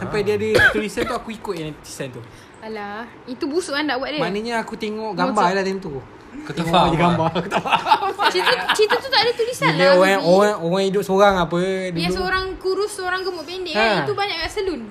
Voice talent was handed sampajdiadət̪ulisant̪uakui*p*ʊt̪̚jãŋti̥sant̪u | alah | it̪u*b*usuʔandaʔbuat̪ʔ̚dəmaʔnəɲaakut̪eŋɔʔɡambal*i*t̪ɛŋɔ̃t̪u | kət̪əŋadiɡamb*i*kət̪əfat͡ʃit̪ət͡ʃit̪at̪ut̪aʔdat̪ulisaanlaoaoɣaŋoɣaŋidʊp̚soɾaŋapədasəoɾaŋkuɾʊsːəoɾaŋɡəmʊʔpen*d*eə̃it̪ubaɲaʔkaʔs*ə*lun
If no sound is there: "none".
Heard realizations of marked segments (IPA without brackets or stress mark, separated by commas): k, b, a, a, d, ə